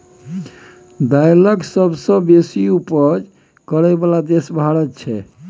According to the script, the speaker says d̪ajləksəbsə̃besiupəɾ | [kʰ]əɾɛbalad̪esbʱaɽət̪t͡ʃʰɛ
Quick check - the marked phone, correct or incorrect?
incorrect